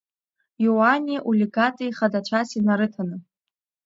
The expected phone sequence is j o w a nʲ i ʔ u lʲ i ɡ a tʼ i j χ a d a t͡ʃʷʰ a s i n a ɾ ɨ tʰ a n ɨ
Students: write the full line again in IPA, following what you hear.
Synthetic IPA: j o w a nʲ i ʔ u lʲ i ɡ a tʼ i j χ a d a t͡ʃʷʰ a s i n a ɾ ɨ tʰ a n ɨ